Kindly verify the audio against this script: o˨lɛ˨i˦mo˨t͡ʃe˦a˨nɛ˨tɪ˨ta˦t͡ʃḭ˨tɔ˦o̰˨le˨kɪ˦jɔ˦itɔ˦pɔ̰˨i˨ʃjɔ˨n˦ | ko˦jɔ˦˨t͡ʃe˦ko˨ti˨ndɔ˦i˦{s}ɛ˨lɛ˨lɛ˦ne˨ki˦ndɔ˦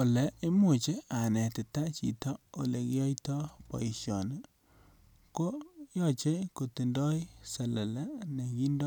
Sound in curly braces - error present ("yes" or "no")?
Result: no